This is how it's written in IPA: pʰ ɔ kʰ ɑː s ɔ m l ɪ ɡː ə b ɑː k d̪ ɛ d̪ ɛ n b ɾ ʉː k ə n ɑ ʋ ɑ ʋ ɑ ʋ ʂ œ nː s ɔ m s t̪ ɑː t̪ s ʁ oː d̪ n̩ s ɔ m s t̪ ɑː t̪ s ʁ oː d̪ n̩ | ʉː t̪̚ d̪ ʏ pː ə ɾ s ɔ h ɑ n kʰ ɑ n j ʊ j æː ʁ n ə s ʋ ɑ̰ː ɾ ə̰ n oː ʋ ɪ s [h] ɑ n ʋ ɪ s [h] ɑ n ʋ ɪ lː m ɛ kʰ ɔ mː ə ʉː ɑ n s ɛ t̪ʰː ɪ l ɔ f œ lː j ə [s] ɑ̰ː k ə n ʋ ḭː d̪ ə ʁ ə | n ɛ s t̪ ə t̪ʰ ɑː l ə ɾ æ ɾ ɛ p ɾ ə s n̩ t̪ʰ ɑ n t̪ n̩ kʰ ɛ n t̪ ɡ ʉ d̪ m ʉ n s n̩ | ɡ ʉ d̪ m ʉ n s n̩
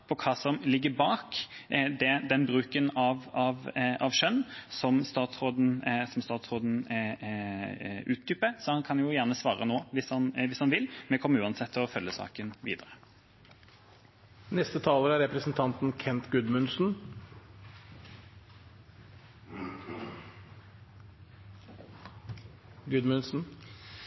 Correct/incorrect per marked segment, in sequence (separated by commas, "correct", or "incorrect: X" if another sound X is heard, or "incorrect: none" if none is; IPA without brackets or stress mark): correct, correct, correct